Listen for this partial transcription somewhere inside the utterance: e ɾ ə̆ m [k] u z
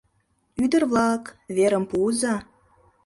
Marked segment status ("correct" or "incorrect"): incorrect